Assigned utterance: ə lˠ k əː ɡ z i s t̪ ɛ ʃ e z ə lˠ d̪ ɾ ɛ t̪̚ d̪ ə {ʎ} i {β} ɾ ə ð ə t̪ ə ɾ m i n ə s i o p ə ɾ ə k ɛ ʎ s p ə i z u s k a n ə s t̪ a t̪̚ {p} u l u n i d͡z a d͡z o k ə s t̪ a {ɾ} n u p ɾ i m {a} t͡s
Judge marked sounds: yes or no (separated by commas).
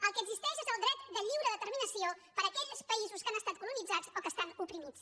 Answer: yes, no, no, no, no